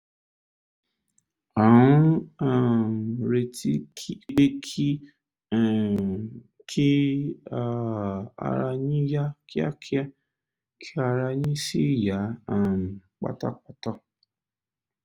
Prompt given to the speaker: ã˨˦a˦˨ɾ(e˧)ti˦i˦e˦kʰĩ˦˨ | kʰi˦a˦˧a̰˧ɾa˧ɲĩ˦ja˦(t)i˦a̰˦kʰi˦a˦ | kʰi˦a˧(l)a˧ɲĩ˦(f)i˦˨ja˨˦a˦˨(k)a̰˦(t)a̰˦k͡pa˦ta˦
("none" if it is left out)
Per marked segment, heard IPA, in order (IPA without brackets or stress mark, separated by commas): e˧, k, ɾ, s, k͡p, t